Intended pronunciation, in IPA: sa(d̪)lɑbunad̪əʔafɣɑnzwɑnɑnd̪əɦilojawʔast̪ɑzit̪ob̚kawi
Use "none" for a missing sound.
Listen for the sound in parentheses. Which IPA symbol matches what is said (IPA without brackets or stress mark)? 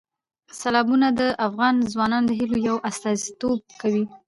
none